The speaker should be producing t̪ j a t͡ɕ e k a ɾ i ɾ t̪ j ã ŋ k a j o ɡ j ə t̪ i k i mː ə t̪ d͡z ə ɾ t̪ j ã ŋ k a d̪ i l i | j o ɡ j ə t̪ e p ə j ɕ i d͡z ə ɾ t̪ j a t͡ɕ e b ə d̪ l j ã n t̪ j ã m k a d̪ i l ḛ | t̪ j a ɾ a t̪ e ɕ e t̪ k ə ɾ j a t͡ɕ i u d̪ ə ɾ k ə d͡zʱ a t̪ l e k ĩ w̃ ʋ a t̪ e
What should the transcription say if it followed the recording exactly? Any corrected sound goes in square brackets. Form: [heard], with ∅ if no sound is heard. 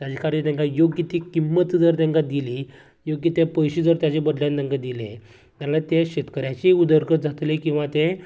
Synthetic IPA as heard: t̪ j a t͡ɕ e k a ɾ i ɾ t̪ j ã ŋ k a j o ɡ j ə t̪ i k i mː ə t̪ d͡z ə ɾ t̪ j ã ŋ k a d̪ i l i | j o ɡ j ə t̪ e p ə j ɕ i d͡z ə ɾ t̪ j a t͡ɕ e b ə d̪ l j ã n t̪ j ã [ŋ] k a d̪ i l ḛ | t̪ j a [l] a t̪ e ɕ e t̪ k ə ɾ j a t͡ɕ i u d̪ ə ɾ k ə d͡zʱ a t̪ l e k ĩ w̃ ʋ a t̪ e